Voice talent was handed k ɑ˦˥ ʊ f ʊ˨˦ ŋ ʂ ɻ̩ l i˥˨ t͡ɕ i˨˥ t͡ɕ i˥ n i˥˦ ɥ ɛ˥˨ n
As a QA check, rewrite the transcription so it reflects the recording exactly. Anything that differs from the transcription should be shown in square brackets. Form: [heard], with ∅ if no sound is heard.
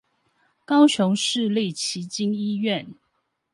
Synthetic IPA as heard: k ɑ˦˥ ʊ [ɕ] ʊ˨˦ ŋ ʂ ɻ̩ l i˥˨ [t͡ɕʰ] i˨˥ t͡ɕ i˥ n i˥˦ ɥ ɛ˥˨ n